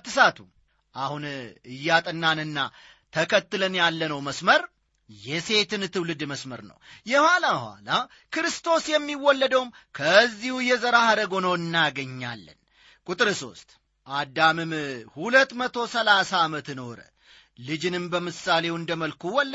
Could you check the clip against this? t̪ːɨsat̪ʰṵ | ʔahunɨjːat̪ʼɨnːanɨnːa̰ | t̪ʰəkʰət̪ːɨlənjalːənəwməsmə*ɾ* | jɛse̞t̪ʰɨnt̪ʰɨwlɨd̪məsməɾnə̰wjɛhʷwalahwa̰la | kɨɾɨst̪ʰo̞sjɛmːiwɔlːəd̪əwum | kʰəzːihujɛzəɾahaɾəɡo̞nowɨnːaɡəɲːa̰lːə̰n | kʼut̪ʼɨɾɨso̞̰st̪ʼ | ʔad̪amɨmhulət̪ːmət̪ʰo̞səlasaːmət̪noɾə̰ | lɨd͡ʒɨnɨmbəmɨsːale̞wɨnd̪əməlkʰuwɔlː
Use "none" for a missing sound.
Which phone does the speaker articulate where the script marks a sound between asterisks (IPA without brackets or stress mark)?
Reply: ɾ